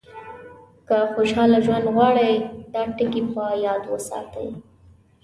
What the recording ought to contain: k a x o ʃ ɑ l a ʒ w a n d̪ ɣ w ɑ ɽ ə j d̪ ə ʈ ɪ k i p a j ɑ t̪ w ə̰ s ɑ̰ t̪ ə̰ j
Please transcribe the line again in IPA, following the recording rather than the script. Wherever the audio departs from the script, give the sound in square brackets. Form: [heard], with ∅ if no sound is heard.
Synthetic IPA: k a x o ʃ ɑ l a ʒ w a n d̪ ɣ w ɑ ɽ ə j d̪ [ɑ] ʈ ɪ k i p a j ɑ [d̪] w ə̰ s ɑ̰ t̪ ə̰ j